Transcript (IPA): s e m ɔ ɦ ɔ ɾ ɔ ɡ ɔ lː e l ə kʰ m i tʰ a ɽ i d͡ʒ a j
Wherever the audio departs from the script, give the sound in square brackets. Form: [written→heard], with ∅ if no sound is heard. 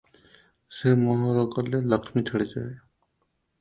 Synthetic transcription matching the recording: s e m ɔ ɦ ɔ ɾ ɔ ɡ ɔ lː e l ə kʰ m i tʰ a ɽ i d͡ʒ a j